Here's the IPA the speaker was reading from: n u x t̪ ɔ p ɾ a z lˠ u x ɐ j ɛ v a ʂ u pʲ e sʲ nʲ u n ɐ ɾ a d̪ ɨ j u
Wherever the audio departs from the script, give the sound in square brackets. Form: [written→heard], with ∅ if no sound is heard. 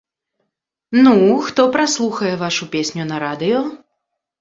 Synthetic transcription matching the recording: n u x t̪ ɔ p ɾ a [z→s] lˠ u x ɐ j ɛ v a ʂ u pʲ e sʲ nʲ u n ɐ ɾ a d̪ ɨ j [u→ɔ]